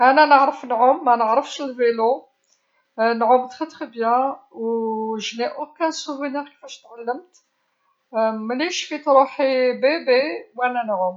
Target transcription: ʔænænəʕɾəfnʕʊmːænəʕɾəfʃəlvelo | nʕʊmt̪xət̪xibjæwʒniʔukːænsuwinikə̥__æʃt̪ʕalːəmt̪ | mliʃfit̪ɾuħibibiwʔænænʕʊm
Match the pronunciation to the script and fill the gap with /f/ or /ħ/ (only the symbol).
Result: f